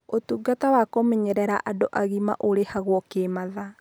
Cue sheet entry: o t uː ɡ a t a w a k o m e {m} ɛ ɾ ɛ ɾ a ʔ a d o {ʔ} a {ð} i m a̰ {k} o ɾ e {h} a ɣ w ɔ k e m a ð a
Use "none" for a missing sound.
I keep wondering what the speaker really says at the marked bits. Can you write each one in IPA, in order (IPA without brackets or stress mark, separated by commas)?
ɲ, ʔ, ɣ, ʔ, h